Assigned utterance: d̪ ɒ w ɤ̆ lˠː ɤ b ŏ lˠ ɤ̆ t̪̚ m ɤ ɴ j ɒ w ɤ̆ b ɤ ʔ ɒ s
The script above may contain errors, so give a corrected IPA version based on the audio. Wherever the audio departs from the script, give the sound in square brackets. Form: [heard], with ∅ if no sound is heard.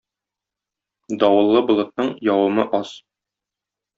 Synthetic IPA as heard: d̪ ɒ w ɤ̆ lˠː ɤ b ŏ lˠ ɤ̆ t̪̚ [n] ɤ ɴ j ɒ w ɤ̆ [m] ɤ ʔ ɒ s